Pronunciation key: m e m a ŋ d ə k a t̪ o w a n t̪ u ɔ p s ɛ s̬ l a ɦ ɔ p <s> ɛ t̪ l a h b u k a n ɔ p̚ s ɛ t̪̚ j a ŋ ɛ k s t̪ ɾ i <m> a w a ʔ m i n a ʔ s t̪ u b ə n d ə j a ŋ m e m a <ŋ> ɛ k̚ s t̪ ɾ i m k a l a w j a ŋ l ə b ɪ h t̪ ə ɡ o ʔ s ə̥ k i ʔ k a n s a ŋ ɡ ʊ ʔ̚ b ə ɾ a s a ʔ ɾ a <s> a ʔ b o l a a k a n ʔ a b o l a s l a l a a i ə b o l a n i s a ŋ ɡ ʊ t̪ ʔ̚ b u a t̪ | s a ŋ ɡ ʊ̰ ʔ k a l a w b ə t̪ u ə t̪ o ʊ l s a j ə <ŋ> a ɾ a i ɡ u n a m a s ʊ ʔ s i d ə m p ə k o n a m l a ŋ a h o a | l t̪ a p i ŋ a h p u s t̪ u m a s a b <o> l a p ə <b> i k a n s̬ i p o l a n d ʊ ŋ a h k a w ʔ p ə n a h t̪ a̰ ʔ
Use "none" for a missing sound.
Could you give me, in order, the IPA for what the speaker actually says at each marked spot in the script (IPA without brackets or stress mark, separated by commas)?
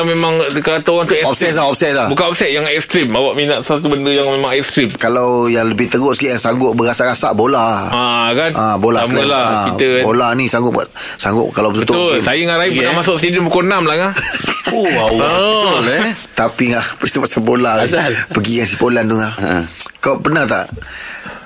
s, m, ŋ, s, ŋ, o, ɡ